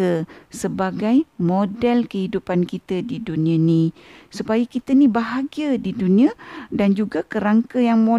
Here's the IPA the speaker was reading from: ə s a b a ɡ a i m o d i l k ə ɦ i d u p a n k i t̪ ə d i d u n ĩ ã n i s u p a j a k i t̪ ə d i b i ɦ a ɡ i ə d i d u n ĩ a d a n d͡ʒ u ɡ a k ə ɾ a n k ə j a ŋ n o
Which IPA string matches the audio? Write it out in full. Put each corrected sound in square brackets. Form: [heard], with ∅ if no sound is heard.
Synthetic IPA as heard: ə s [ə] b a ɡ a [j] m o d [ɛ] l k ə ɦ i d u p a n k i t̪ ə d i d u n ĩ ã n i s u p a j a k i t̪ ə [n] i b [a] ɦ a ɡ i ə d i d u n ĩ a d a n d͡ʒ u ɡ a k ə ɾ a [ŋ] k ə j a ŋ [m] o